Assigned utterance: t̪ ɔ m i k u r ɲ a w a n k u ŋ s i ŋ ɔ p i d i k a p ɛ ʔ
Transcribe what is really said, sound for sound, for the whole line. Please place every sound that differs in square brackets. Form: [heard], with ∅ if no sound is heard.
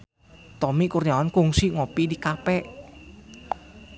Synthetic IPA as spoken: t̪ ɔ m i k u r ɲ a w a n k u ŋ s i ŋ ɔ p i d i k a p ɛ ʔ